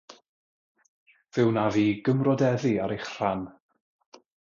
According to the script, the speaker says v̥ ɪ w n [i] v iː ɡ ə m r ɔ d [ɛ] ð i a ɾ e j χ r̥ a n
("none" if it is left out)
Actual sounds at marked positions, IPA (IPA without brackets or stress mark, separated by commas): a, ɛ